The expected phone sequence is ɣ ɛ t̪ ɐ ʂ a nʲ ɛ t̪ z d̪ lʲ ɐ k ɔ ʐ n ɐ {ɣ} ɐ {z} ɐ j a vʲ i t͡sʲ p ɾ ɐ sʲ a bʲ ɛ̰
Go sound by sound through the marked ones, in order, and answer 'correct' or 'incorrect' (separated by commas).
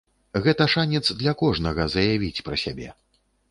correct, correct